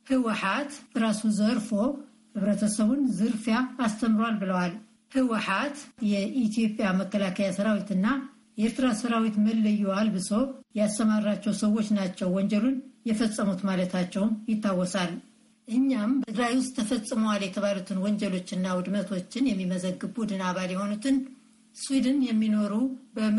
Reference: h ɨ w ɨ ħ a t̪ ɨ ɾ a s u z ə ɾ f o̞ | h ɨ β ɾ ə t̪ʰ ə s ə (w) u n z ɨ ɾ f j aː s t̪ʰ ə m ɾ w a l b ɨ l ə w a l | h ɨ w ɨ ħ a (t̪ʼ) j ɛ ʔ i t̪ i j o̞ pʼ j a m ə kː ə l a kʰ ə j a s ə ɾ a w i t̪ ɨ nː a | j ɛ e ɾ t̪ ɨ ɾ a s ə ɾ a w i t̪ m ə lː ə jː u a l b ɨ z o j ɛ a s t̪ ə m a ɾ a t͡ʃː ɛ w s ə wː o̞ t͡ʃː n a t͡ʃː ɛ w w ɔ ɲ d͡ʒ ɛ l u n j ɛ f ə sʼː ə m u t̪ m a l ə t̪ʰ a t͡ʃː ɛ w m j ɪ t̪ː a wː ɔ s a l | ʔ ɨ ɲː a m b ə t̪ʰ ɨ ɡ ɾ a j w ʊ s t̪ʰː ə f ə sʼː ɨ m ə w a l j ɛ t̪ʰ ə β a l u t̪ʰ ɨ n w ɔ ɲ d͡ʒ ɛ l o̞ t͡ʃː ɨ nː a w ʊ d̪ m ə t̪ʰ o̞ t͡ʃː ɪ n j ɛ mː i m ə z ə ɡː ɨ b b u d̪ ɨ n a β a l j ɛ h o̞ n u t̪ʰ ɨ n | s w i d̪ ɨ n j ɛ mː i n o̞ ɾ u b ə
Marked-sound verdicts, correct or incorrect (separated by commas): incorrect, incorrect